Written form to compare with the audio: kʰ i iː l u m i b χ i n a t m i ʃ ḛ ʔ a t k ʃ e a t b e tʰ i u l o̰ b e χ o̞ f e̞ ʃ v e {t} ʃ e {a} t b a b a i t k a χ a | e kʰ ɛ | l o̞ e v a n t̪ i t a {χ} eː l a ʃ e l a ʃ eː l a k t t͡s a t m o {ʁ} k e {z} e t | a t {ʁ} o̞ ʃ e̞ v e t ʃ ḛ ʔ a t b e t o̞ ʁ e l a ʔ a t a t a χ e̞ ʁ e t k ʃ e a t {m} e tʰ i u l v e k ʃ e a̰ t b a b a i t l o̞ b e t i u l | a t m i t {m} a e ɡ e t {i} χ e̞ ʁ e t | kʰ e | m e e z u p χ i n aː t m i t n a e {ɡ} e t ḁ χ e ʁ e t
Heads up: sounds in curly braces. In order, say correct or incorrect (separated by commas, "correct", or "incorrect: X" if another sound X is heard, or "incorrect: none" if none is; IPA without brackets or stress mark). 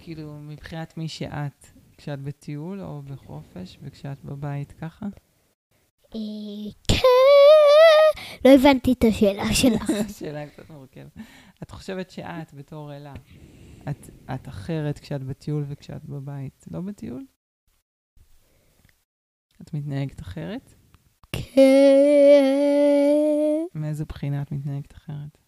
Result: incorrect: k, correct, incorrect: ʃ, correct, incorrect: v, incorrect: χ, incorrect: b, incorrect: n, incorrect: a, correct